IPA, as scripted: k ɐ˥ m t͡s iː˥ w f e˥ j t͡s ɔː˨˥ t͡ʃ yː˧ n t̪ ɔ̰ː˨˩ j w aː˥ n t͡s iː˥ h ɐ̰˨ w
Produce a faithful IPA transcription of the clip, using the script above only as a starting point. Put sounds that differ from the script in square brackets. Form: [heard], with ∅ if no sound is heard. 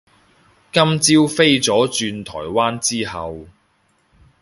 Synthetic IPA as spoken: k ɐ˥ m t͡s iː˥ w f e˥ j t͡s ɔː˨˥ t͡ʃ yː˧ n [t̪ʰ] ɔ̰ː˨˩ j w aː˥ n t͡s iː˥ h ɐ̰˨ w